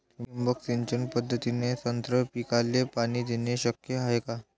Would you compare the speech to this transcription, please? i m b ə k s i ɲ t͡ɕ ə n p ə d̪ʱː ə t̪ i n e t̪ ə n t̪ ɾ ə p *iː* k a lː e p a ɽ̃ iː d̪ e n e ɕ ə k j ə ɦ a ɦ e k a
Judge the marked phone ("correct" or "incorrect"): incorrect